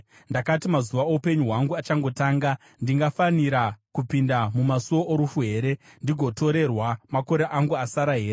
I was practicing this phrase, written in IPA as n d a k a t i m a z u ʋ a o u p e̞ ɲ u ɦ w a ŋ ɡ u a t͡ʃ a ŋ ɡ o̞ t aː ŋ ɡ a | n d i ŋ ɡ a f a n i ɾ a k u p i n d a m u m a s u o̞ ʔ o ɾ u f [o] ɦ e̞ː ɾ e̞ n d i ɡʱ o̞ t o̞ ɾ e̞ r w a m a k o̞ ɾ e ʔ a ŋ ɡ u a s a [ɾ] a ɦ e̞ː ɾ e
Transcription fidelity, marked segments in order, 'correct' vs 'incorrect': incorrect: u, correct

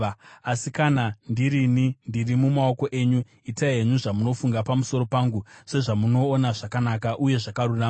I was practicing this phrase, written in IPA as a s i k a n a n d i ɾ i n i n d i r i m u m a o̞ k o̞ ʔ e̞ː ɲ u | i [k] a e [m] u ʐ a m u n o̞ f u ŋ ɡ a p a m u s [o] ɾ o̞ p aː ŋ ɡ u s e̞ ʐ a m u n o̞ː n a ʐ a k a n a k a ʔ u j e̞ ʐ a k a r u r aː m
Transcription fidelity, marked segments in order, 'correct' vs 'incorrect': incorrect: t, incorrect: ɲ, correct

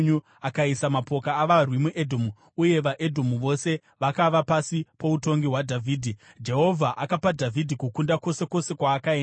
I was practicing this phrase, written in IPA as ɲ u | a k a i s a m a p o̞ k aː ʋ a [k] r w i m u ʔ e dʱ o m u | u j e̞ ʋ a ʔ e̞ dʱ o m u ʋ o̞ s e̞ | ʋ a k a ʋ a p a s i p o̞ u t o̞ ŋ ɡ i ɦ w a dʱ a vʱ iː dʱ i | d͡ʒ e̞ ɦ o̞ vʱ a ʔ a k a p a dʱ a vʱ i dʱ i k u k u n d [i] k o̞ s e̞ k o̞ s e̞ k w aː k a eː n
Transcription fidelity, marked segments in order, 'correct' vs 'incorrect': incorrect: none, incorrect: a

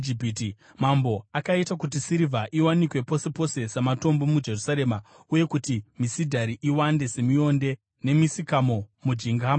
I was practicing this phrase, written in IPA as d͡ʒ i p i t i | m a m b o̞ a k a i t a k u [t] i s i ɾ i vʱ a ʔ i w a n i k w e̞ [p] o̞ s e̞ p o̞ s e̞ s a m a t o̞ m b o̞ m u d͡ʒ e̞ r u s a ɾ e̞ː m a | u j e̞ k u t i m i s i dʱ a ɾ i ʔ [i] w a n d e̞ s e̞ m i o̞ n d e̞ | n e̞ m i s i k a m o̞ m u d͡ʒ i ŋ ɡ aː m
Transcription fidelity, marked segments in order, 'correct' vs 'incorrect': correct, correct, correct

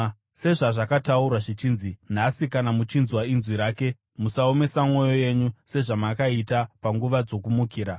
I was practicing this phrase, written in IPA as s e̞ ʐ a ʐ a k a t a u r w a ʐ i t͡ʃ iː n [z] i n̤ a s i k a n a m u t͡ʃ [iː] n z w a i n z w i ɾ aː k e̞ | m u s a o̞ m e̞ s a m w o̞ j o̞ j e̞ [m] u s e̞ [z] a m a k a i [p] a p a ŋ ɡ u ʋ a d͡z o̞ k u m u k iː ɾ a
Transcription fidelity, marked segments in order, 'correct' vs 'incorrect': correct, incorrect: i, incorrect: ɲ, incorrect: ʐ, incorrect: t

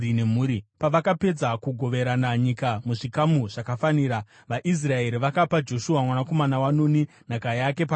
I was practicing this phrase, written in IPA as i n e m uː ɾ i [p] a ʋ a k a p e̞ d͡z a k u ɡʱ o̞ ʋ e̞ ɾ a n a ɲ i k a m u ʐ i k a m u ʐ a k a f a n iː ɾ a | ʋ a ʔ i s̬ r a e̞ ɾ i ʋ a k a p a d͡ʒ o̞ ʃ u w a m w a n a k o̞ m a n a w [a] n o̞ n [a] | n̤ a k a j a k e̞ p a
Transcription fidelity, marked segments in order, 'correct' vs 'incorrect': correct, correct, incorrect: i

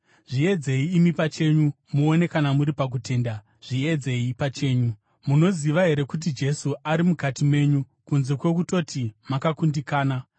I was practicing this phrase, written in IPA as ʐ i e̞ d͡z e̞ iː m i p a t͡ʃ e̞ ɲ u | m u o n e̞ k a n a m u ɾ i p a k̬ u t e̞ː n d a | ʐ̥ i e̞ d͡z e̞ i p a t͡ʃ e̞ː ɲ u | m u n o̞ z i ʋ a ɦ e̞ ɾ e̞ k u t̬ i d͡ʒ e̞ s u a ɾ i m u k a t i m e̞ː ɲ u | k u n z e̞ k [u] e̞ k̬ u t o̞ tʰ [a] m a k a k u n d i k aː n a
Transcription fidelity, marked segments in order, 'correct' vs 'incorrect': incorrect: w, incorrect: i

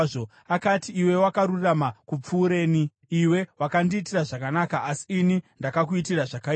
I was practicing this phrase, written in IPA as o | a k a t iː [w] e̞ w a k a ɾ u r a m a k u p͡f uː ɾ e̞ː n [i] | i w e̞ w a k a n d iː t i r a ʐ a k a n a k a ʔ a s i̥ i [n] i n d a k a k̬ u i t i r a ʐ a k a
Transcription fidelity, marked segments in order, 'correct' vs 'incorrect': correct, correct, correct

